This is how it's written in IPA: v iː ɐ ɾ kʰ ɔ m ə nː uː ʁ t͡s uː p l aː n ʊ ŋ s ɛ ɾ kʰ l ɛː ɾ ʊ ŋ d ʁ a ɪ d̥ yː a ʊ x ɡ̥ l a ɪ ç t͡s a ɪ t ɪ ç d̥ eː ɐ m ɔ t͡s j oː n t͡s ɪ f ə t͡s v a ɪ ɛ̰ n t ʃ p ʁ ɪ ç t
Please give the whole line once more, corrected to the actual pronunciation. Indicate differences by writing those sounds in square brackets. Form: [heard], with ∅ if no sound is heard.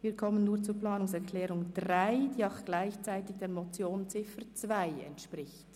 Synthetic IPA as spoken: v iː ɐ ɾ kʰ ɔ m ə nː uː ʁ t͡s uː p l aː n ʊ ŋ s ɛ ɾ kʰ l ɛː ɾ ʊ ŋ d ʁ a ɪ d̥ [iː] a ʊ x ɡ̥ l a ɪ ç t͡s a ɪ t ɪ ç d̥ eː ɐ m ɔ t͡s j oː n t͡s ɪ f ə t͡s v a ɪ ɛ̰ n t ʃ p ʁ ɪ ç t